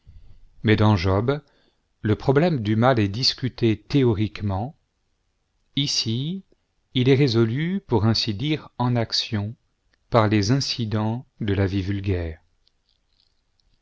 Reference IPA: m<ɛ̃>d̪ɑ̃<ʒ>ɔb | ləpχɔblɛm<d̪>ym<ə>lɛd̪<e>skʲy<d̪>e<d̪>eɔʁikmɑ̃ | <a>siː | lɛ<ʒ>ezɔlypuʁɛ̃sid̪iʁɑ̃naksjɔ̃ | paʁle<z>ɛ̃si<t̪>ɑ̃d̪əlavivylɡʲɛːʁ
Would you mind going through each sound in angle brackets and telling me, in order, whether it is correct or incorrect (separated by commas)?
incorrect, correct, correct, incorrect, incorrect, incorrect, incorrect, incorrect, incorrect, correct, incorrect